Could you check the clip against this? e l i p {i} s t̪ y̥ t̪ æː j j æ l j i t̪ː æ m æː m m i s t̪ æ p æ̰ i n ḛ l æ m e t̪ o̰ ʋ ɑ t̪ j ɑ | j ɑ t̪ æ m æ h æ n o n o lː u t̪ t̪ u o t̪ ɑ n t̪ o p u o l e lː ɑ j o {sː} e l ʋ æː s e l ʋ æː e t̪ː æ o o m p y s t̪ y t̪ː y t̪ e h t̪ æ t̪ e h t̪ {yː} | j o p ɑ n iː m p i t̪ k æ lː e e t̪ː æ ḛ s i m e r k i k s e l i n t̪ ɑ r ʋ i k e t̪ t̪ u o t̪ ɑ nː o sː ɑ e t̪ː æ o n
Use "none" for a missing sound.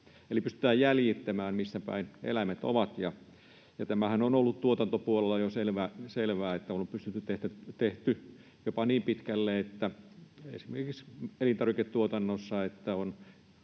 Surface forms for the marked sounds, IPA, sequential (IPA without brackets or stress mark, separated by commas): y, s, y